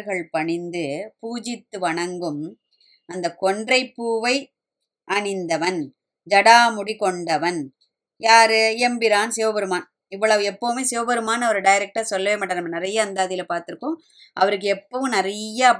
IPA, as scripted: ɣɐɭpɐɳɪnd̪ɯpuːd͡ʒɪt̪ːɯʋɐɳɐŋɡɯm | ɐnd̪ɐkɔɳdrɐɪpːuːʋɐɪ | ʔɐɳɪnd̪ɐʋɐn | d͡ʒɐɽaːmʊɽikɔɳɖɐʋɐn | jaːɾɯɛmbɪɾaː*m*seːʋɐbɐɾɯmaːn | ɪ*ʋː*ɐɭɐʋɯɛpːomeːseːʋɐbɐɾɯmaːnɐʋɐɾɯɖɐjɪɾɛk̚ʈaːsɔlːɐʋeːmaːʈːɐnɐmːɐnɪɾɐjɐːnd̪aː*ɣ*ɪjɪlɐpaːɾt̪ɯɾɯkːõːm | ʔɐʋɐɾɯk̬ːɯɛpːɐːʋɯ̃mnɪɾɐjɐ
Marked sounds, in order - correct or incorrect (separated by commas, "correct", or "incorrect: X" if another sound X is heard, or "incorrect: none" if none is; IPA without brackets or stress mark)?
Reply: incorrect: n, correct, incorrect: ð